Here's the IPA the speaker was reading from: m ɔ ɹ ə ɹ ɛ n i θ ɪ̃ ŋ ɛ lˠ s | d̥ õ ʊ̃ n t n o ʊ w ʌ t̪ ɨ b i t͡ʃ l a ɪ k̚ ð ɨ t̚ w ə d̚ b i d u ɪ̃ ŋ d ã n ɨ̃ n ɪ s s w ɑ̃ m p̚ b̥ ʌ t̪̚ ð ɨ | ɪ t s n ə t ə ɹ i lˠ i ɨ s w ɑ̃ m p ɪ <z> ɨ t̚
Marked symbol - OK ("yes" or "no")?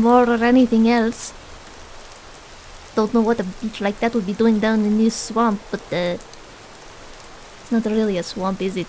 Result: yes